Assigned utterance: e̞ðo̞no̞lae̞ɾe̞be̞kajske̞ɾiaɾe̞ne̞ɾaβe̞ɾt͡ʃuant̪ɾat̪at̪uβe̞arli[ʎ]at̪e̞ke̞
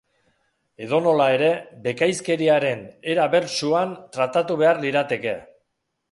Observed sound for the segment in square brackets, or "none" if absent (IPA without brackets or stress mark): ɾ